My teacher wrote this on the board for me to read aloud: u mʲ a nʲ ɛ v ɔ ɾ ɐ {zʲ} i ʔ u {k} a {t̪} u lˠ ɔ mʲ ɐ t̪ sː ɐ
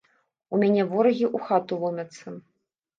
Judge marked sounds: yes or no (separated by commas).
no, no, yes